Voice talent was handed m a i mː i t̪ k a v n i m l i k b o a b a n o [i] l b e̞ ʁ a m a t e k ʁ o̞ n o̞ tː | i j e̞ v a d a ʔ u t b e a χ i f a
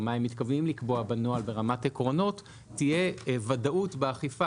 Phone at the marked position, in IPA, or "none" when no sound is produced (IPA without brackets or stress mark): a